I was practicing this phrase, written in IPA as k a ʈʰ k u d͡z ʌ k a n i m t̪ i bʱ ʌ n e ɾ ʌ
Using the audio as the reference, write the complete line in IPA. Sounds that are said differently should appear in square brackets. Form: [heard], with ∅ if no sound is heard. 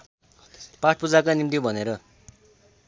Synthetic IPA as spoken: [p] a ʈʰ [p] u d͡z [a] k a n i m t̪ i bʱ ʌ n e ɾ ʌ

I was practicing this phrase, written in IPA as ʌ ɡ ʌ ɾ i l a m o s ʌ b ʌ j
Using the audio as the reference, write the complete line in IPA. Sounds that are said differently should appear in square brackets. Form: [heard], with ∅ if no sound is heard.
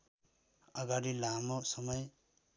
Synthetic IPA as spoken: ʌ ɡ [a] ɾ i l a m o s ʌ [m] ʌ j

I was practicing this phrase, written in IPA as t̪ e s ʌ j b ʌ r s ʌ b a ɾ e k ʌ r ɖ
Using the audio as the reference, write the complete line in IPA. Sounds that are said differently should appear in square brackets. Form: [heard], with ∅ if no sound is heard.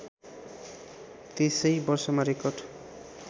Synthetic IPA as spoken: t̪ e s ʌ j b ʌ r s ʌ [m] a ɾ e k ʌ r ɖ

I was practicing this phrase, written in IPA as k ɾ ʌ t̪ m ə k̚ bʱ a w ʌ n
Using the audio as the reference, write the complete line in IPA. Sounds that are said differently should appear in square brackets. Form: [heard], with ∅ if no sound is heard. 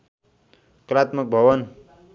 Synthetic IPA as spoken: k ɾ [a] t̪ m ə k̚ bʱ [ʌ] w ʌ n

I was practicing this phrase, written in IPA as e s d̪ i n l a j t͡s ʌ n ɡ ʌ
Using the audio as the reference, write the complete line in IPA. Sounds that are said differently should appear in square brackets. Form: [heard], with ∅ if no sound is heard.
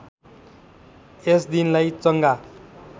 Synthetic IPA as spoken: e s d̪ i n l a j t͡s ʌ [ŋ] ɡ [a]

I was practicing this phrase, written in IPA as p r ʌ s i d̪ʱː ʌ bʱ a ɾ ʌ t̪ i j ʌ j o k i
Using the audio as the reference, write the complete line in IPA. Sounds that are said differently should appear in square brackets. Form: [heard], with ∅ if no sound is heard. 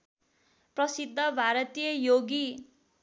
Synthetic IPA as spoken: p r ʌ s i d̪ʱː ʌ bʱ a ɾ ʌ t̪ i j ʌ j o [ɡ] i

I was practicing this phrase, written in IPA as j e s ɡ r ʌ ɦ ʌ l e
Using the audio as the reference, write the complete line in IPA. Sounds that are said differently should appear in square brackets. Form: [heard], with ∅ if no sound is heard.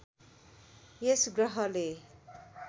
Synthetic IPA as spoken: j e s ɡ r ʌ ɦ ʌ l e

